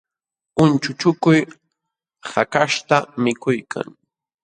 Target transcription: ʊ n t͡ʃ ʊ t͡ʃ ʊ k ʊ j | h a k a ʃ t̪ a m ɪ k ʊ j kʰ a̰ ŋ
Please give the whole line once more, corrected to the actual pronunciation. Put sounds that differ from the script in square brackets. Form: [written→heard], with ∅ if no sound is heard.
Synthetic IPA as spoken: ʊ n t͡ʃ ʊ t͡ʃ ʊ k ʊ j | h a k a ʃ t̪ a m ɪ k ʊ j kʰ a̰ ŋ